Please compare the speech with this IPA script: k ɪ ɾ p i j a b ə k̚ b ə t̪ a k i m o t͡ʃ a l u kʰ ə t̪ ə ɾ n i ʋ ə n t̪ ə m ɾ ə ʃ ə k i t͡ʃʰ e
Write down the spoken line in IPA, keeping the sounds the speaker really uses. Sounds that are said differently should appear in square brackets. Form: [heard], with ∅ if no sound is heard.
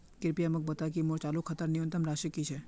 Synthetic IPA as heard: k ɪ ɾ p i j a [m] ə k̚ b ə t̪ a k i m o t͡ʃ a l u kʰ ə t̪ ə ɾ n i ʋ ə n t̪ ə m ɾ [a] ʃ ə k i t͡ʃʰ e